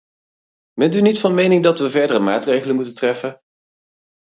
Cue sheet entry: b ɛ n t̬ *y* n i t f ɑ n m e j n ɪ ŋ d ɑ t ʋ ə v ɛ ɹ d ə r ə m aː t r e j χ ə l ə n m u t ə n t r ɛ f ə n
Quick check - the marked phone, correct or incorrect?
correct